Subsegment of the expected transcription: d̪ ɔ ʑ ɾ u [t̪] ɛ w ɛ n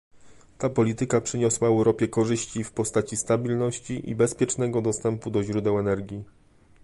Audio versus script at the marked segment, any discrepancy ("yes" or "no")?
yes